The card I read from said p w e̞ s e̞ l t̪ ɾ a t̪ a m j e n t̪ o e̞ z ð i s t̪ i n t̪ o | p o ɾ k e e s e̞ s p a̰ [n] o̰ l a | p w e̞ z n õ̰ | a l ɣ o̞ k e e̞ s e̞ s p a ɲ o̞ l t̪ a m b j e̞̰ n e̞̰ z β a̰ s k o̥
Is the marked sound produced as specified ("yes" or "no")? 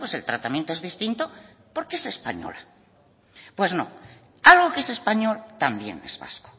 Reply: no